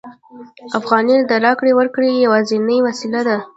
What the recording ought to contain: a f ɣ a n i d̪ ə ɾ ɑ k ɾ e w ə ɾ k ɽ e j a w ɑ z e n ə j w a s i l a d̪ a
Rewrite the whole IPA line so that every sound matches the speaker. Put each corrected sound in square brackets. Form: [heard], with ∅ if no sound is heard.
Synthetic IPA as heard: a f ɣ [ɑ] n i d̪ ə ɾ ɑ k [ɽ] e w ə ɾ k ɽ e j a w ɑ z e n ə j w a s i l a d̪ a